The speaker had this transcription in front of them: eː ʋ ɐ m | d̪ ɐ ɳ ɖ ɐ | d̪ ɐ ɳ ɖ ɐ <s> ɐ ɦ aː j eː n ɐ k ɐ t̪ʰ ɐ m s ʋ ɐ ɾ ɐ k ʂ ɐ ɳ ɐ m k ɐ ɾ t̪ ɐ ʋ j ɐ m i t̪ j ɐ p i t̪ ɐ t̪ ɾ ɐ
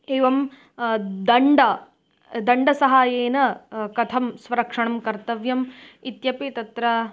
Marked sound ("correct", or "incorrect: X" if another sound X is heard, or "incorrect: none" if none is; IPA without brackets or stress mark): correct